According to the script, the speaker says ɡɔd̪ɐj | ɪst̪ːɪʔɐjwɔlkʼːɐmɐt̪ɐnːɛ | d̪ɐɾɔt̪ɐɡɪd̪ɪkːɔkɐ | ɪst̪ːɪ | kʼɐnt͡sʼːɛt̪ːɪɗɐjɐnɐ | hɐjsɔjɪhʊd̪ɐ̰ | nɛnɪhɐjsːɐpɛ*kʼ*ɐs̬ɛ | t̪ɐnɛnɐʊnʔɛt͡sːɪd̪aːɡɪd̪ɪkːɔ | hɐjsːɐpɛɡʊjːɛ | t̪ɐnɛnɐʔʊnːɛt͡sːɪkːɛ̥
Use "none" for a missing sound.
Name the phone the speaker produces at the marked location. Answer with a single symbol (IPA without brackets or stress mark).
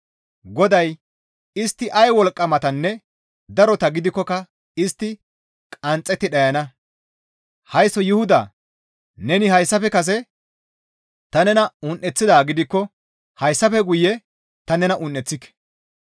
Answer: k